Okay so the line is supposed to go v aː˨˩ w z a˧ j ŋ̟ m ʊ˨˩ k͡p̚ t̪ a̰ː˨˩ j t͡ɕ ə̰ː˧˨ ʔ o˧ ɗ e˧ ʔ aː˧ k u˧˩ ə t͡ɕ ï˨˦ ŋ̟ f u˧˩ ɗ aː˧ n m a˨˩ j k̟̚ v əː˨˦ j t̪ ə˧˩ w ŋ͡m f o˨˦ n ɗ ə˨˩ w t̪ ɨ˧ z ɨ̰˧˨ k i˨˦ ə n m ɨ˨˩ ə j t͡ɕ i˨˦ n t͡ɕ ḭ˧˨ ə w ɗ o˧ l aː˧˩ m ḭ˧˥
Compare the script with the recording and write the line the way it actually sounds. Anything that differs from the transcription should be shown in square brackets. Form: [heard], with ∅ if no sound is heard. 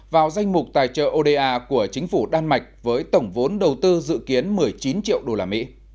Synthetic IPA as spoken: v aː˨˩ w z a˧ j ŋ̟ m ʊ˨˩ k͡p̚ t̪ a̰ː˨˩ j t͡ɕ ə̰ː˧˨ ʔ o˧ ɗ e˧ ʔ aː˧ k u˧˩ ə t͡ɕ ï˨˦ ŋ̟ f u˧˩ ɗ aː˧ n m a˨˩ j k̟̚ v əː˨˦ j t̪ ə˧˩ w ŋ͡m [v] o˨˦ n ɗ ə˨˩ w t̪ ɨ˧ z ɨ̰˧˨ k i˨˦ ə n m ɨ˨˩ ə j t͡ɕ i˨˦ n t͡ɕ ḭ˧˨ ə w ɗ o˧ l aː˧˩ m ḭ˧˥